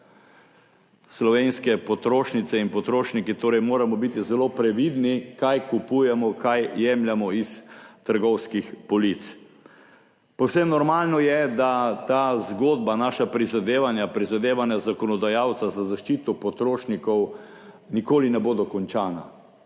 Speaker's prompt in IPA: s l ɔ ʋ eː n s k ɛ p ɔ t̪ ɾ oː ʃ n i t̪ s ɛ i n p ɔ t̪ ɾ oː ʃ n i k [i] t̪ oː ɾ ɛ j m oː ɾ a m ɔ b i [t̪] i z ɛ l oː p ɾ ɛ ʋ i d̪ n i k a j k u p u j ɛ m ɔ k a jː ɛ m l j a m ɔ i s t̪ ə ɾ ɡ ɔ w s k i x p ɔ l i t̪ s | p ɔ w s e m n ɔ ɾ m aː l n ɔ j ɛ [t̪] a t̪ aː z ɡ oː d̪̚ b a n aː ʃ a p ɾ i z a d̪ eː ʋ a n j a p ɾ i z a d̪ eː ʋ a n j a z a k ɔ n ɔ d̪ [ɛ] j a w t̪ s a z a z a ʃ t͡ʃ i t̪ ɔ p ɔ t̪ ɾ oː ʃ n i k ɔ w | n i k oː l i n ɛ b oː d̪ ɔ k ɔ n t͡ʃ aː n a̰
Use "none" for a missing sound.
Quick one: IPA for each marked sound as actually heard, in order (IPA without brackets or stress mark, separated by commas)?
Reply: i, t̪, d̪, a